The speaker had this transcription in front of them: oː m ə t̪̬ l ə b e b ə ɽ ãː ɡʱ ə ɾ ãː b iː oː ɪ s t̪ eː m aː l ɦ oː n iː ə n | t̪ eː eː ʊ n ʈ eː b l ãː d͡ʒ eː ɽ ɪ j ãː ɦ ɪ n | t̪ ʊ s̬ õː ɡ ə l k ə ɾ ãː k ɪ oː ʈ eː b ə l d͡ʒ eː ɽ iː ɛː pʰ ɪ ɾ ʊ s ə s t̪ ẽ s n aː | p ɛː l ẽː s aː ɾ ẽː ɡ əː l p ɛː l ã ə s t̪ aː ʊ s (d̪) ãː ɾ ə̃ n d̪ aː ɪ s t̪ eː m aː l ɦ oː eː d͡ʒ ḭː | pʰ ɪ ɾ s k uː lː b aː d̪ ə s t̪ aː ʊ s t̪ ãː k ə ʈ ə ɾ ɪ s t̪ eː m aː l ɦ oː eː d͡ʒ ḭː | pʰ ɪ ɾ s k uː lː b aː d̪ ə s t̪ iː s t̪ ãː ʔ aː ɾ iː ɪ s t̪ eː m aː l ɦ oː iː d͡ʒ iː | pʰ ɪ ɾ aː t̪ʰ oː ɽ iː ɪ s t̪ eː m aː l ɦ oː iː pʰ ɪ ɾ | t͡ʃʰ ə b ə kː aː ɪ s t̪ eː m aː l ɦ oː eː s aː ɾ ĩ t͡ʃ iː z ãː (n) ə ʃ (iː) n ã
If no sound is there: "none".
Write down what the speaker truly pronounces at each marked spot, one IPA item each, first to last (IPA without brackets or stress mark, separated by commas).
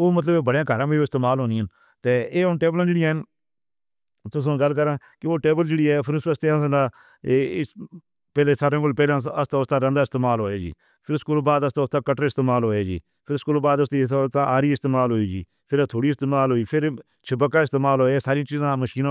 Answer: t̪, m, iː